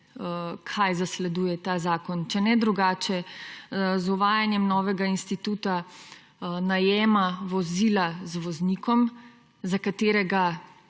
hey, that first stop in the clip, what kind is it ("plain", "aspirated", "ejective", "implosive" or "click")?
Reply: aspirated